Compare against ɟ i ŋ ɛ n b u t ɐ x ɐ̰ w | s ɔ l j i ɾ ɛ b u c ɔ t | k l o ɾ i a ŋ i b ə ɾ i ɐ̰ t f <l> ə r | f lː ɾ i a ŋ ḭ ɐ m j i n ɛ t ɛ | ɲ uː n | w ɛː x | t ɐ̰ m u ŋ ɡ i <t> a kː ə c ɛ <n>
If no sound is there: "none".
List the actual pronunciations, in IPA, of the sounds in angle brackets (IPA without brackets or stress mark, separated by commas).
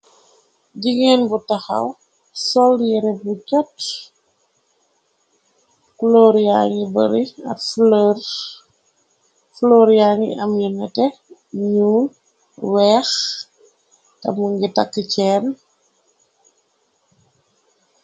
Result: l, t, n